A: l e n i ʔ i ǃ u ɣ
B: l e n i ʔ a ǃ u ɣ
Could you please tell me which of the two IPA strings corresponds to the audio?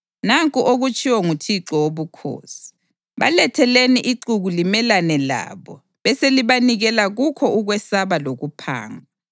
A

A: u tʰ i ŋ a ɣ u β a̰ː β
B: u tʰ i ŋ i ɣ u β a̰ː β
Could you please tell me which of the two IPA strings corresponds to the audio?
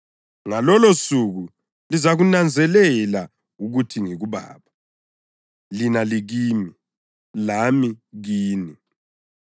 B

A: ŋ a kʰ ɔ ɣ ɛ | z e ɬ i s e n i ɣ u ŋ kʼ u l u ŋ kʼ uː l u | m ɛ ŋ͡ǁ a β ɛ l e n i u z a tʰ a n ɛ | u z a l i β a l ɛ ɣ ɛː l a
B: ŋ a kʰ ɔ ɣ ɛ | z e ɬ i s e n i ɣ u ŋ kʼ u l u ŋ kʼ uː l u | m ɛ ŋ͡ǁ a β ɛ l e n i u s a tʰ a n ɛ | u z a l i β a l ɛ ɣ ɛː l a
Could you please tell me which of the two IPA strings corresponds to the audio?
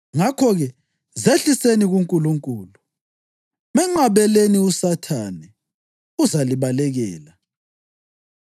B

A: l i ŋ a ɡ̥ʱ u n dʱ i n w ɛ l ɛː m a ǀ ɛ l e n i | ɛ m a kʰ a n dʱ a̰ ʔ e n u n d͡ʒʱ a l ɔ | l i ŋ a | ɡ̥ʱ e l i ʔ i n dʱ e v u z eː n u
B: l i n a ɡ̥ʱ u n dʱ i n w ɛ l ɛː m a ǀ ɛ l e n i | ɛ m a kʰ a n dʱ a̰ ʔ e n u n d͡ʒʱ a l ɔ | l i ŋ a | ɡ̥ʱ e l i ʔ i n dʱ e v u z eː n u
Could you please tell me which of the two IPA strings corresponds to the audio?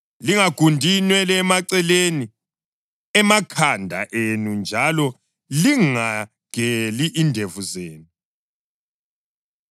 A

